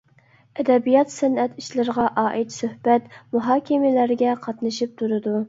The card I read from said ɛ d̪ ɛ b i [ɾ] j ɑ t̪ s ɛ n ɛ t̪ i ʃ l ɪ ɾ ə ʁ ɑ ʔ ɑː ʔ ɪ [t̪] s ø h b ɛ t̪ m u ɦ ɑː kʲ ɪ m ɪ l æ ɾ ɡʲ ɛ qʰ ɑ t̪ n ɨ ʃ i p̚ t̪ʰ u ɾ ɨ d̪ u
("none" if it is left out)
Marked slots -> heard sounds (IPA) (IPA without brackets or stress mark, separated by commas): none, t̪